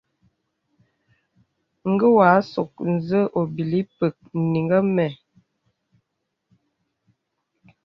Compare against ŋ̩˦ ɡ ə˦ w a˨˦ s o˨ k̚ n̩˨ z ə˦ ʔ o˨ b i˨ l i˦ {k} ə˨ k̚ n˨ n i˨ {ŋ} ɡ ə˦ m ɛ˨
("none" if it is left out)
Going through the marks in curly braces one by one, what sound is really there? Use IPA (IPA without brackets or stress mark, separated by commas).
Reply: p, ŋ